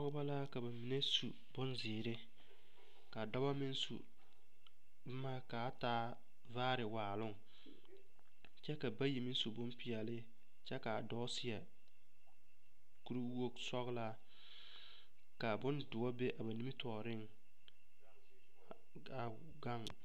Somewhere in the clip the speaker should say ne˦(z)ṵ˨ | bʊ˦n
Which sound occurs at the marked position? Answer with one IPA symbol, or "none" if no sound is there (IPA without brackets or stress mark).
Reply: s